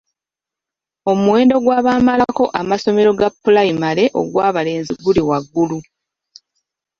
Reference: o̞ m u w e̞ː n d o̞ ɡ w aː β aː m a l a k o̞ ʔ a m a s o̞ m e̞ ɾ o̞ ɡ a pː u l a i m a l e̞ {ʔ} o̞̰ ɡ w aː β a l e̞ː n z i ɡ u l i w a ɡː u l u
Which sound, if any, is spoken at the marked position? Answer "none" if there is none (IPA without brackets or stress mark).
ʔ